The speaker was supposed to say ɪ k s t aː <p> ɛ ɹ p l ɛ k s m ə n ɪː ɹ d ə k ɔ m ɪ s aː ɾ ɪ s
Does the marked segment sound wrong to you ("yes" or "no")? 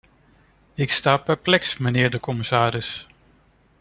no